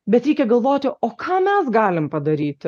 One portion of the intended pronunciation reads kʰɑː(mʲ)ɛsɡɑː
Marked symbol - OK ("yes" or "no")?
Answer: yes